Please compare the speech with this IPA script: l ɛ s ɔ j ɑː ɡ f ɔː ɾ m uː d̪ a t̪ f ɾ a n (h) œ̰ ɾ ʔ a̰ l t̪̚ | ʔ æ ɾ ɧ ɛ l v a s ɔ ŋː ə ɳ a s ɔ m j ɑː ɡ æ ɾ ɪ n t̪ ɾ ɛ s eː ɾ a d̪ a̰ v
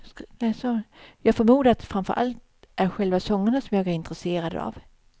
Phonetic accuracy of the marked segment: incorrect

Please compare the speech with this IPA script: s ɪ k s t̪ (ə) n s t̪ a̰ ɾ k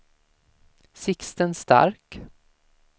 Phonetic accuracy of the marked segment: correct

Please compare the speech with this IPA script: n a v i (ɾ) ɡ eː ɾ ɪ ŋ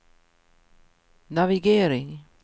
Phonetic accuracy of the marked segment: incorrect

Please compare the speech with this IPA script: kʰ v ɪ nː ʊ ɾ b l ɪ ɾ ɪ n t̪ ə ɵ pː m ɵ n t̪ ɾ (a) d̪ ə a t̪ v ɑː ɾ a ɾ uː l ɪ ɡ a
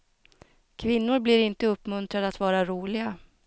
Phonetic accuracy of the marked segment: correct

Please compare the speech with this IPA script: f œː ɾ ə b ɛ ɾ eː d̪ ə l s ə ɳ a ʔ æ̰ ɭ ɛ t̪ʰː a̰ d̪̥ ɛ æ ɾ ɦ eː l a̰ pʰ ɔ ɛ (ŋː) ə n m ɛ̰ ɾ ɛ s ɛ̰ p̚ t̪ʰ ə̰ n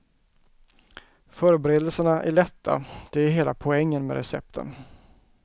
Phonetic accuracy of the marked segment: correct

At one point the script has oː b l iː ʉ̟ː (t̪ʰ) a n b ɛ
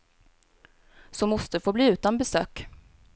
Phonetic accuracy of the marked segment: incorrect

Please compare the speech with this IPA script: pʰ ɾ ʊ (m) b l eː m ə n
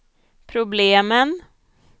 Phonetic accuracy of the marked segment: incorrect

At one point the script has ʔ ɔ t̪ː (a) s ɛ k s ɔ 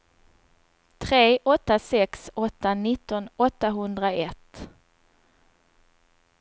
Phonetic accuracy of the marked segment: correct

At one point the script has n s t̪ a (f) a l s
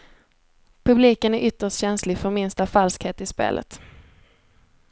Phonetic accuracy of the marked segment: correct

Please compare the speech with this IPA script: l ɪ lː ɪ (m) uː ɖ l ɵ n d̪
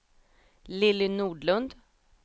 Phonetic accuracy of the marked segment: incorrect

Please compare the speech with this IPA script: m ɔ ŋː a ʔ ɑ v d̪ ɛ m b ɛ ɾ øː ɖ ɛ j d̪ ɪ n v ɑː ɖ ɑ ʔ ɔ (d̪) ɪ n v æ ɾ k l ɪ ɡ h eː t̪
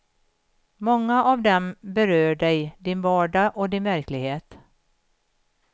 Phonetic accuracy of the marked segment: correct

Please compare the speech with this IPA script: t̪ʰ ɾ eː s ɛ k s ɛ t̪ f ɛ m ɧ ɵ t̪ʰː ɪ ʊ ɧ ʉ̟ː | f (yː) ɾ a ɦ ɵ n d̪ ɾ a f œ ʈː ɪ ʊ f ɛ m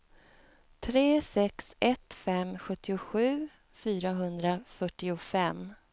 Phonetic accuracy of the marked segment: correct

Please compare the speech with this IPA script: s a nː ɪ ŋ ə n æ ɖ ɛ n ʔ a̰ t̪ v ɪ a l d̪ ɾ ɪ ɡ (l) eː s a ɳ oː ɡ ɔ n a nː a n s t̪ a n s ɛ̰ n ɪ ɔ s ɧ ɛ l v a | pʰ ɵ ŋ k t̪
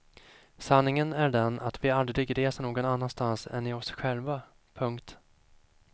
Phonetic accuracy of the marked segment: incorrect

